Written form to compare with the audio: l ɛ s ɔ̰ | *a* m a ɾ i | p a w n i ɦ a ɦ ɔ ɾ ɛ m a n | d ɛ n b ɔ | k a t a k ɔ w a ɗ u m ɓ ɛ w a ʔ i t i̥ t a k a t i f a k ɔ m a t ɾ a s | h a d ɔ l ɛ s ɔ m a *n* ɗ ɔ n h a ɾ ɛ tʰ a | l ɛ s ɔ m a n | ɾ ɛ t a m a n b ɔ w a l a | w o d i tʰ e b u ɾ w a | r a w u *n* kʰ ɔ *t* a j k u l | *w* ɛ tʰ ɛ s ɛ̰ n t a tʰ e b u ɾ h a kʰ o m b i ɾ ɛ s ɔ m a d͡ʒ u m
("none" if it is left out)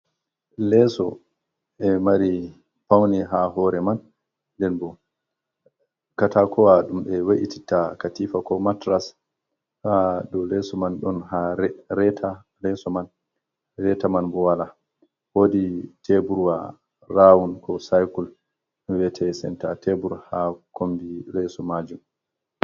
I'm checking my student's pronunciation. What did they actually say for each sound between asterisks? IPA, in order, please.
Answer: ɛ, n, n, s, w

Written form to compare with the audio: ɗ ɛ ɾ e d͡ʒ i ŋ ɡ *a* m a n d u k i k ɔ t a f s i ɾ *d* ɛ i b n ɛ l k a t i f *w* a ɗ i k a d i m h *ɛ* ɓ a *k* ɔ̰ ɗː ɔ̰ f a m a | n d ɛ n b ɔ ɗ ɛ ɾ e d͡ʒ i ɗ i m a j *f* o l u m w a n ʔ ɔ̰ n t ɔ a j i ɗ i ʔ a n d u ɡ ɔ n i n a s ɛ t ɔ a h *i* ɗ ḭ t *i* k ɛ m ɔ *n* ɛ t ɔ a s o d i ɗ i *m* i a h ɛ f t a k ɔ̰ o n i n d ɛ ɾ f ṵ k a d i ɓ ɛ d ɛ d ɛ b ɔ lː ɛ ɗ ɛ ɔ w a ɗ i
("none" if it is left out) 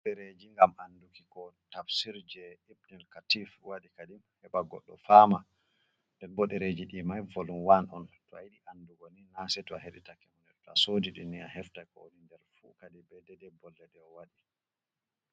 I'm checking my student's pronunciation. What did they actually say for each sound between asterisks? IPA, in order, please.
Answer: a, d͡ʒ, w, ɛ, ɡ, v, e, a, n, n

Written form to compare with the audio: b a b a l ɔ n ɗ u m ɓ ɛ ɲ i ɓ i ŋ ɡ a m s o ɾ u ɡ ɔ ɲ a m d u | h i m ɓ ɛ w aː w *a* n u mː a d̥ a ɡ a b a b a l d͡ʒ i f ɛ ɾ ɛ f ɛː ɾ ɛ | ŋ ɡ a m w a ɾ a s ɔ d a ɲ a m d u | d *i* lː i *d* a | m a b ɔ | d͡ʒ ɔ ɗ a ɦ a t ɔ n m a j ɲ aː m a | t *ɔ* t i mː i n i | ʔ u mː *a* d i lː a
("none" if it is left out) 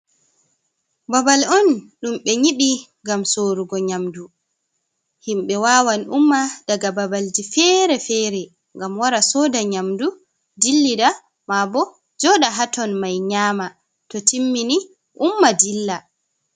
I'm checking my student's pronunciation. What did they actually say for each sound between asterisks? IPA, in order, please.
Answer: a, i, d, ɔ, a

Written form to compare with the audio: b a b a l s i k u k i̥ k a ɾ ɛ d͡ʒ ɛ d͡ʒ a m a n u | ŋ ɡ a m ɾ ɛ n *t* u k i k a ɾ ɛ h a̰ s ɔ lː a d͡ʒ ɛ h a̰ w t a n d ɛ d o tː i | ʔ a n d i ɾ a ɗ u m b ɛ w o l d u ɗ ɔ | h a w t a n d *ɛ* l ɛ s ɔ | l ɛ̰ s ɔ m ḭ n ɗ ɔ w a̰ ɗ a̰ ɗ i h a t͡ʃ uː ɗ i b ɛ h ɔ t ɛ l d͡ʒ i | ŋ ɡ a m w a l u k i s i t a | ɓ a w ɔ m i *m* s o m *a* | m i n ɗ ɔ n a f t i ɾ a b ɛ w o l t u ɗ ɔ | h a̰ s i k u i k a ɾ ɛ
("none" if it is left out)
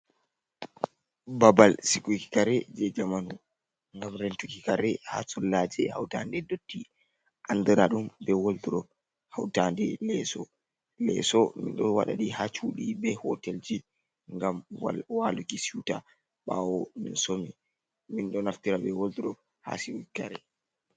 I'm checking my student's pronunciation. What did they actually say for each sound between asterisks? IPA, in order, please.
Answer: t, ɛ, n, i

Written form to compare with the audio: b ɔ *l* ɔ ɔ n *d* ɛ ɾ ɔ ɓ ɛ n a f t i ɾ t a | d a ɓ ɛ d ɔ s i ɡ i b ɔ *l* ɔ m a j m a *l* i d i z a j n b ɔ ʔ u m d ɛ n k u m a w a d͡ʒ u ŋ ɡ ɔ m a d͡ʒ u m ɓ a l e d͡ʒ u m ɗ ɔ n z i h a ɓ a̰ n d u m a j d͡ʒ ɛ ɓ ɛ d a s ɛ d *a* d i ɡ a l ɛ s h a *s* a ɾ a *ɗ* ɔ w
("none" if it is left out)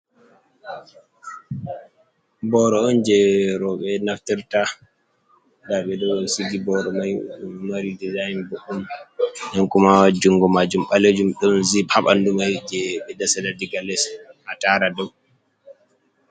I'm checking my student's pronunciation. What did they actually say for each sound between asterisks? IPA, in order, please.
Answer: ɾ, d͡ʒ, ɾ, ɾ, a, t, d

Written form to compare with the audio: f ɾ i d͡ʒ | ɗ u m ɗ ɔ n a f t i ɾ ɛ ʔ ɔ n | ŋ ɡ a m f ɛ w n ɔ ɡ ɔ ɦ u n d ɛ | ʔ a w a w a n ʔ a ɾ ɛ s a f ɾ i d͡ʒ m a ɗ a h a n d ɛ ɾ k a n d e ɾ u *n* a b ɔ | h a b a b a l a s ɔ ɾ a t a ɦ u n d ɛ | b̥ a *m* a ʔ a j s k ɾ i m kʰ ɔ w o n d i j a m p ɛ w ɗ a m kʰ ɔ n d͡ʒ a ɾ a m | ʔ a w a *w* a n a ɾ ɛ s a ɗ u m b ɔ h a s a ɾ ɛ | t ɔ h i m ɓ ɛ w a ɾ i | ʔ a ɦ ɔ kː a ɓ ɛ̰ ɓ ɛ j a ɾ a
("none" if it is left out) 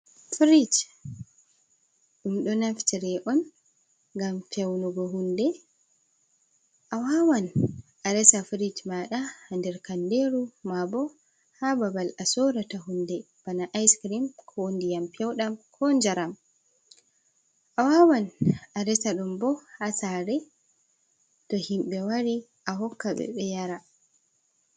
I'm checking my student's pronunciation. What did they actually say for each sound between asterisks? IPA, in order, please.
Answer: m, n, w

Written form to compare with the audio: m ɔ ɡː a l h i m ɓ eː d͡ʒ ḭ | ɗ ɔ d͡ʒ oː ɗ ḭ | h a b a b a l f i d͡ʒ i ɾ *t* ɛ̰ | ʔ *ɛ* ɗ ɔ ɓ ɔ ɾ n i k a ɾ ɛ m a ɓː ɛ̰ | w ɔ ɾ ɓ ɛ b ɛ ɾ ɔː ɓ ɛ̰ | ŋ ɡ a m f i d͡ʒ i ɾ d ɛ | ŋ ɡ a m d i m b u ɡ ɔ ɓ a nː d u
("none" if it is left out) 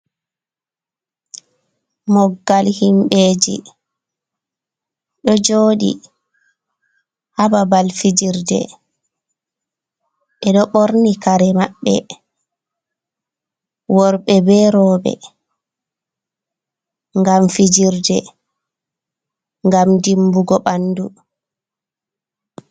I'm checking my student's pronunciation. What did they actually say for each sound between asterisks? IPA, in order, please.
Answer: d, ɛ

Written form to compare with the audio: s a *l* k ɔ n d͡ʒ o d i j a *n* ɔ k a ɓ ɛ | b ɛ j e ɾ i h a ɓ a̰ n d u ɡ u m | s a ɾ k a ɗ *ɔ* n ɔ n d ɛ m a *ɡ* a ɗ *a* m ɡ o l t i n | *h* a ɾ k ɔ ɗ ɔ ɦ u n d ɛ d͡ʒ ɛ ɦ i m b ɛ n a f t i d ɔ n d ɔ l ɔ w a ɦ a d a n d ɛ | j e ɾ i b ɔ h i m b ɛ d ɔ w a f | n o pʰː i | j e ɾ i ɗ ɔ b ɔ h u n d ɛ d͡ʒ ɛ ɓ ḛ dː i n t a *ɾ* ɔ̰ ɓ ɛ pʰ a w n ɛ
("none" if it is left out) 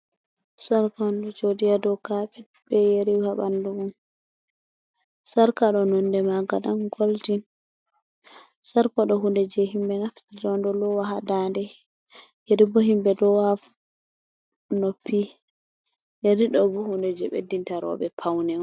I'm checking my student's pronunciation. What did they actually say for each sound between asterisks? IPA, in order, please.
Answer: ɾ, d, ɔ, ɡ, a, s, ɾ

